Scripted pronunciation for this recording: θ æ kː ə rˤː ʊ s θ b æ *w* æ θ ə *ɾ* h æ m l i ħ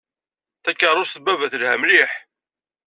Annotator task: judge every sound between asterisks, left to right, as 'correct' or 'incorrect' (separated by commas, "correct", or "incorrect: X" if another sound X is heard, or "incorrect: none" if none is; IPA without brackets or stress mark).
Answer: incorrect: v, incorrect: l